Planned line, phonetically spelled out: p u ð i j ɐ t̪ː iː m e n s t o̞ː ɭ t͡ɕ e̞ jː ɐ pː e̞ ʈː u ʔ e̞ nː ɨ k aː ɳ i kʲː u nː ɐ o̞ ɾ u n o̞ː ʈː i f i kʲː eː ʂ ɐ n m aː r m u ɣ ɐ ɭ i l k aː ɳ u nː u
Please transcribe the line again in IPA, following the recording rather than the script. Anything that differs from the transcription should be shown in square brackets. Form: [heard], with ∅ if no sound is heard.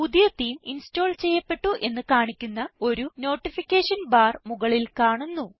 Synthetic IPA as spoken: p u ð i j ɐ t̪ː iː m [i] n s t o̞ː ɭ t͡ɕ e̞ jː ɐ pː e̞ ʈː u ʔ e̞ nː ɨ k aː ɳ i kʲː u nː ɐ o̞ ɾ u n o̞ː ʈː i f i kʲː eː ʂ ɐ n [b] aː r m u ɣ ɐ ɭ i l k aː ɳ u nː u